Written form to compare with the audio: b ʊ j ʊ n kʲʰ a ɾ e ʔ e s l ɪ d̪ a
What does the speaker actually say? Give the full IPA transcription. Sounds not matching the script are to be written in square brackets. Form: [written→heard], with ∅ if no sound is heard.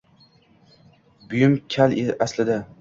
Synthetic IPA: b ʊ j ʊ [n→m] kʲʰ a [ɾ→l] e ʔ [e→a] s l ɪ d̪ a